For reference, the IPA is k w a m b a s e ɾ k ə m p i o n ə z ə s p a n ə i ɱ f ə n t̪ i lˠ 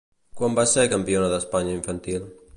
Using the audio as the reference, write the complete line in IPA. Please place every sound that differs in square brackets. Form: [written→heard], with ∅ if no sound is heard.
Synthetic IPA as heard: k w a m b a s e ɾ k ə m p i o n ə [z→ð] ə s p a [n→ɲ] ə i ɱ f ə n t̪ i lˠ